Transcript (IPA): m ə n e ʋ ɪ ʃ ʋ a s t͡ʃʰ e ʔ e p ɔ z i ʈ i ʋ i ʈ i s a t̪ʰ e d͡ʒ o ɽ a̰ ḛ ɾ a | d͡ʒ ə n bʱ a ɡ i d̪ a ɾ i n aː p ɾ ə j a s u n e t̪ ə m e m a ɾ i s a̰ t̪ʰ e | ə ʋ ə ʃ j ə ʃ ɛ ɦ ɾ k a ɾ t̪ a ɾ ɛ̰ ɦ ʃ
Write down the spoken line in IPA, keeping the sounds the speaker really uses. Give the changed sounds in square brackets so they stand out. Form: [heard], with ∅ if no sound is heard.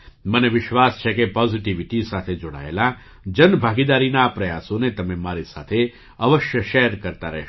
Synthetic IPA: m ə n e ʋ ɪ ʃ ʋ a s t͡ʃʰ e [k] e p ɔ z i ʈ i ʋ i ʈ i s a t̪ʰ e d͡ʒ o ɽ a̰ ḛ [l] a | d͡ʒ ə n bʱ a ɡ i d̪ a ɾ i n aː p ɾ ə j a s [o] n e t̪ ə m e m a ɾ i s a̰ t̪ʰ e | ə ʋ ə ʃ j ə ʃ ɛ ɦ ɾ k [ə] ɾ t̪ a ɾ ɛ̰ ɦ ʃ

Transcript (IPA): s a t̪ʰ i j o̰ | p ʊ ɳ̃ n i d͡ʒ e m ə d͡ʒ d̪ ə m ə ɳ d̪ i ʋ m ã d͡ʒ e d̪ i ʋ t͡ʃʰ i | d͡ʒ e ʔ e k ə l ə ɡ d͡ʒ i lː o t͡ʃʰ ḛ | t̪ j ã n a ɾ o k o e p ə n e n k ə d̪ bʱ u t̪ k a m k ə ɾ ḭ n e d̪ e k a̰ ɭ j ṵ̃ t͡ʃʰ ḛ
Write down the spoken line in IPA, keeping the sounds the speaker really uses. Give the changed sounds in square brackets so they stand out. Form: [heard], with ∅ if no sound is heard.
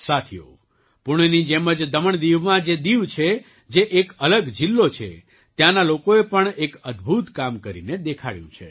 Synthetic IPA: s a t̪ʰ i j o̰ | p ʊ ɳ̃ n i d͡ʒ e m ə d͡ʒ d̪ ə m ə ɳ d̪ i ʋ m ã d͡ʒ e d̪ i ʋ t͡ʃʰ [e] | d͡ʒ e ʔ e k ə l ə ɡ d͡ʒ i lː o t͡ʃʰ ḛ | t̪ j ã n a [l] o k o e p ə [ɳ] e [∅] k ə d̪ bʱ u t̪ k a m k ə ɾ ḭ n e d̪ e [kʰ] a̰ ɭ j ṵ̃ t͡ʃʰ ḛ

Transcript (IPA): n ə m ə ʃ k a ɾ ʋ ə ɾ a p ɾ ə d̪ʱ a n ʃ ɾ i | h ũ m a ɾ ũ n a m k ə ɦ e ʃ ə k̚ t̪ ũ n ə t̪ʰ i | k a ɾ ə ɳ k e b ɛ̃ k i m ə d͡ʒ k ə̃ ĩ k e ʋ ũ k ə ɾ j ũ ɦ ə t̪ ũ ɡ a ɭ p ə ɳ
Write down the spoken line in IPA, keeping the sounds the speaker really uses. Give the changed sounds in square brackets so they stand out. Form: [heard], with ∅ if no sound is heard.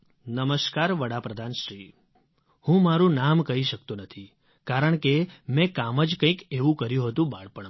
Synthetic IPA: n ə m ə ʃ k a ɾ ʋ ə [ɽ] a p ɾ ə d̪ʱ a n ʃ ɾ i | h ũ m a ɾ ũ n a m k ə ɦ [i] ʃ ə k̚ t̪ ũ n ə t̪ʰ i | k a ɾ ə ɳ k e [m] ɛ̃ k [a] m ə d͡ʒ k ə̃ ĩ k e ʋ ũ k ə ɾ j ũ ɦ ə t̪ ũ [b] a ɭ p ə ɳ

